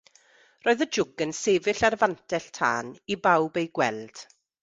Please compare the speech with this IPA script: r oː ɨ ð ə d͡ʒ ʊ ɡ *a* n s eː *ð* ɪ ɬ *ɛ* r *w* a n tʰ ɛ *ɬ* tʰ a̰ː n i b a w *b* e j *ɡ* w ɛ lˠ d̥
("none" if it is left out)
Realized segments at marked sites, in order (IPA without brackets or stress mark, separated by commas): ə, v, a, v, ɬ, b, ɡ